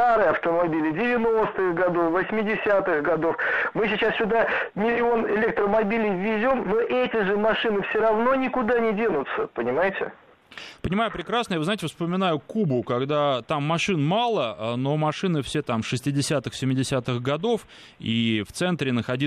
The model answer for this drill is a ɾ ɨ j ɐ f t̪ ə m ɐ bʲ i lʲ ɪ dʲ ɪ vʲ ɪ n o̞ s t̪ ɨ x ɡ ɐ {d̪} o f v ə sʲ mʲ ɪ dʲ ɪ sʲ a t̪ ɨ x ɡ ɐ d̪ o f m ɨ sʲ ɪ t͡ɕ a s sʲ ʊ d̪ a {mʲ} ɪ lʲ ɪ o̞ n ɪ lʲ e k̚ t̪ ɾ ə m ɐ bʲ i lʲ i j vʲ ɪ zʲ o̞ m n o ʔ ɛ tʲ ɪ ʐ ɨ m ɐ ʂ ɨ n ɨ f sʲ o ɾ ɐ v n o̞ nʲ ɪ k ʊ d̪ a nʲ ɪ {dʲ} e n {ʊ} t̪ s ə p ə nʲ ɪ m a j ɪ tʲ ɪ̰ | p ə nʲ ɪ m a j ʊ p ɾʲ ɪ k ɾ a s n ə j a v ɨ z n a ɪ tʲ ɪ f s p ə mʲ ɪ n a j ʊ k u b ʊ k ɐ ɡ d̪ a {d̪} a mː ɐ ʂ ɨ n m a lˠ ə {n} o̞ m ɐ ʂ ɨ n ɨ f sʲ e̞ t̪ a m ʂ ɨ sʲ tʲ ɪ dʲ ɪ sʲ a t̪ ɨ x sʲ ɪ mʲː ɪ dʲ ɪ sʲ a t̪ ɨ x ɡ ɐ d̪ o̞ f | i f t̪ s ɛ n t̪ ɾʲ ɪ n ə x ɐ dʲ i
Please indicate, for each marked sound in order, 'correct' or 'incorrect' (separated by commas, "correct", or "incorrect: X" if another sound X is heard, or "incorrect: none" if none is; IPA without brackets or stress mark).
correct, correct, correct, correct, incorrect: t̪, correct